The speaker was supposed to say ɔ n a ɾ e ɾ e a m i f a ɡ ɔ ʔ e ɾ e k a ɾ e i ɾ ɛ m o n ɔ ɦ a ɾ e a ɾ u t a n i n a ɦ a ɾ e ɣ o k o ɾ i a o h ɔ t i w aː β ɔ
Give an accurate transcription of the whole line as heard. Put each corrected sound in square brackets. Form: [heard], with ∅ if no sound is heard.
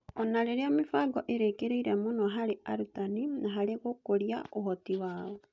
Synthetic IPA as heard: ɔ n a ɾ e ɾ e a m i f a ɡ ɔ ʔ e ɾ e k [e] ɾ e i ɾ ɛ m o n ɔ ɦ a ɾ e a ɾ u t a n i n a ɦ a ɾ e ɣ o k o ɾ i a o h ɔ t i w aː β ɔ

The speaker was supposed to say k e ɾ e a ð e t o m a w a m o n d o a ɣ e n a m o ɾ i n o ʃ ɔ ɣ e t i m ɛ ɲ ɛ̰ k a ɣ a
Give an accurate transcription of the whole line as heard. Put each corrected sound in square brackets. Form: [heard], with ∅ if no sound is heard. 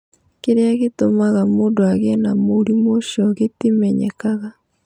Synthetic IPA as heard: k e ɾ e a [ɣ] e t o m a [ɣ] a m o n d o a ɣ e n a m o ɾ i [m] o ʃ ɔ ɣ e t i m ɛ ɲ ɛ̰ k a ɣ a

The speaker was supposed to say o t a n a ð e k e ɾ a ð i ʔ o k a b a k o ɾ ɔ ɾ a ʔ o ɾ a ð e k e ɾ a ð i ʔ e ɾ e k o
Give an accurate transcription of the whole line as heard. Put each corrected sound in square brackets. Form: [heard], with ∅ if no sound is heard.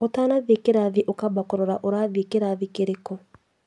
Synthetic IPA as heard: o t a n a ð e k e ɾ a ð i ʔ o k a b a k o ɾ ɔ ɾ a ʔ o ɾ a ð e k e ɾ a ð i [k] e ɾ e k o

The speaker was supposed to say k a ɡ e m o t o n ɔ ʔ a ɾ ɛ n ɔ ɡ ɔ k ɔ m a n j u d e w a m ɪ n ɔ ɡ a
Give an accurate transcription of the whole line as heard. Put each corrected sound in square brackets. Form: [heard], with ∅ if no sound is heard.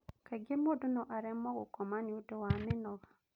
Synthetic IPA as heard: k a ɡ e m o [d] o n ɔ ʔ a ɾ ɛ [m] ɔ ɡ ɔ k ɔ m a n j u d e w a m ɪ n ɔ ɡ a

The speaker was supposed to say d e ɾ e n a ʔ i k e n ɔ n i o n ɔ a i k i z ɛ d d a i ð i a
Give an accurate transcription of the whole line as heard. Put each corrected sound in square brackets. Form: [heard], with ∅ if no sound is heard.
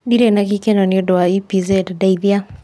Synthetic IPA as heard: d [i] ɾ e n a [k] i k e n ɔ n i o [d] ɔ a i [p] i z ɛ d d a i ð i a

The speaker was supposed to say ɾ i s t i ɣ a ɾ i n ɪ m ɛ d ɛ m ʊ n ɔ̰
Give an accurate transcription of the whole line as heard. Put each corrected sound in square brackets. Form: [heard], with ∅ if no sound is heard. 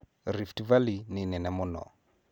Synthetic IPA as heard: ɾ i [f] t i [v] a [l] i n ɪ [n] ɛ [n] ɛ m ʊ n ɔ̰

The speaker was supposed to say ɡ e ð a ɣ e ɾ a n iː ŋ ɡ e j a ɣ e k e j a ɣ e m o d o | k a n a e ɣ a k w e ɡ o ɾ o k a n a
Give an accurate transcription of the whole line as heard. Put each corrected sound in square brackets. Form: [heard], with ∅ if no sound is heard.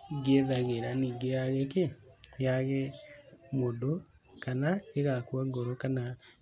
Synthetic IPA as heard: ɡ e ð a ɣ e ɾ a n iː ŋ ɡ e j a ɣ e k e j a ɣ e m o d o | k a n a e ɣ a k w [a] ɡ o ɾ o k a n a

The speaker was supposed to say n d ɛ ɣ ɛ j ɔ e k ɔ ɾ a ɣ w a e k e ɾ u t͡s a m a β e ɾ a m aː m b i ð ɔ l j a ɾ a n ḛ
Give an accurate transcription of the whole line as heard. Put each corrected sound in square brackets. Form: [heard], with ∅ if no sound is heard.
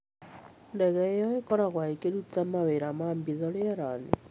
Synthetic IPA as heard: n d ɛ ɣ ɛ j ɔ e k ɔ ɾ a ɣ w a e k e ɾ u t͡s a m a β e ɾ a m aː m b i ð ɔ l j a ɾ a n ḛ

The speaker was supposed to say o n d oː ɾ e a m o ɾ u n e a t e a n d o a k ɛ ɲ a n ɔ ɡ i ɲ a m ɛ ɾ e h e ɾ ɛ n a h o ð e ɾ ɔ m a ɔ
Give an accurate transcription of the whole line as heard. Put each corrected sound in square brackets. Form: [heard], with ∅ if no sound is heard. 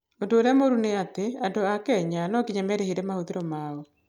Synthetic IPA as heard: o n d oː ɾ e a m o ɾ u n e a t e a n d o a k ɛ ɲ a n ɔ [k] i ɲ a m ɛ ɾ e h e ɾ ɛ [m] a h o ð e ɾ ɔ m a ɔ

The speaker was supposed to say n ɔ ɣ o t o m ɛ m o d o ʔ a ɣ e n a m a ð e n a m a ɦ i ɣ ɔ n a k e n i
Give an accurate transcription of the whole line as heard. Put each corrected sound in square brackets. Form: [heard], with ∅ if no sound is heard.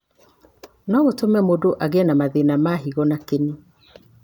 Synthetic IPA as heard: n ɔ ɣ o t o m ɛ m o d o ʔ a ɣ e n a m a ð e n a m a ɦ i ɣ ɔ n a k e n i

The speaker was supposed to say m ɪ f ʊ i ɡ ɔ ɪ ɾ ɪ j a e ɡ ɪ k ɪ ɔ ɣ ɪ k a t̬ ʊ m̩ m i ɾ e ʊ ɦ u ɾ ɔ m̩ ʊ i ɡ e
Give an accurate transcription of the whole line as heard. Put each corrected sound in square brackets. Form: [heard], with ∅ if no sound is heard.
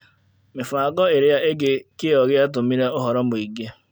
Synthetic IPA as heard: m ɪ f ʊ [a] ɡ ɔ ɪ ɾ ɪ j a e ɡ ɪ k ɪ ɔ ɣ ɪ [∅] a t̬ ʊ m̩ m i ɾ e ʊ ɦ [ɔ] ɾ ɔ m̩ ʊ i ɡ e

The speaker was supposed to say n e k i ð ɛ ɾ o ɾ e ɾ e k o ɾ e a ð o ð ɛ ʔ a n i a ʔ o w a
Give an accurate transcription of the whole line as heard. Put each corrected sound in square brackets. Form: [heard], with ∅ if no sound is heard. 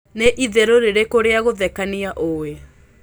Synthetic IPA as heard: n e [ʔ] i ð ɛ ɾ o ɾ e ɾ e k o ɾ e a [ɣ] o ð ɛ [k] a n i a ʔ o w [e]

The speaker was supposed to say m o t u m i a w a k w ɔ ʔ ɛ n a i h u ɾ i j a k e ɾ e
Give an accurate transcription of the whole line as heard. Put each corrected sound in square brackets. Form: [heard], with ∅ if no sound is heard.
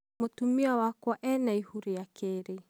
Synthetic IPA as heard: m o t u m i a w a k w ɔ ʔ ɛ n a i h u ɾ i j a k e ɾ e

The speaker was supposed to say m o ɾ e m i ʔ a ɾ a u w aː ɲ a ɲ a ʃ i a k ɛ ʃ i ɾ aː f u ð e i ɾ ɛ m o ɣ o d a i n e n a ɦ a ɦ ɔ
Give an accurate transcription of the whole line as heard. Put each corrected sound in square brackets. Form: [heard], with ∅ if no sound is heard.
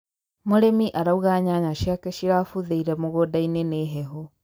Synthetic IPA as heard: m o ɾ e m i ʔ a ɾ a u [ɣ] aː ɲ a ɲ a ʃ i a k ɛ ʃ i ɾ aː f u ð e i ɾ ɛ m o ɣ o d a i n e n [e] ɦ [ɛ] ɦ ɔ

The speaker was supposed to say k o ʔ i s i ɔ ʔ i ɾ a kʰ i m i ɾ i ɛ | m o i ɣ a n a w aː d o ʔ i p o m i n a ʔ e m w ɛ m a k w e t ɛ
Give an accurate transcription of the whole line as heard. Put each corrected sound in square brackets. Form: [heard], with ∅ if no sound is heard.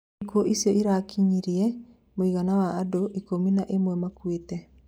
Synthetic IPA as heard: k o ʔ i s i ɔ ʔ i ɾ a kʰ i [ɲ] i ɾ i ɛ | m o i ɣ a n a w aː d o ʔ i [k] o m i n a ʔ e m w ɛ m a k w e t ɛ

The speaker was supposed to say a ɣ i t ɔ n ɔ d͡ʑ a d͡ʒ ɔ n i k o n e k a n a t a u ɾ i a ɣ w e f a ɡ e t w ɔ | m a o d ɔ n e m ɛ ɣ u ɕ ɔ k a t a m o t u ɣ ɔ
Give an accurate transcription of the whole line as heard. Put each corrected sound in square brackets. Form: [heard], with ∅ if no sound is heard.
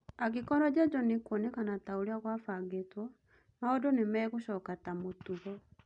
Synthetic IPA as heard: a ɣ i [k] ɔ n ɔ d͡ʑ a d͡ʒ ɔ n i k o n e k a n a t a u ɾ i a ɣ w [a] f a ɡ e t w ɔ | m a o d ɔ n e m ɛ ɣ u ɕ ɔ k a t a m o t u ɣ ɔ

